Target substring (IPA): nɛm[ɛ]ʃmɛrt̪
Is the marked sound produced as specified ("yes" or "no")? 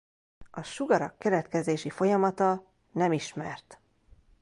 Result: no